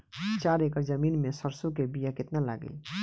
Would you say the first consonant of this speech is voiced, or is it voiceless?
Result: voiceless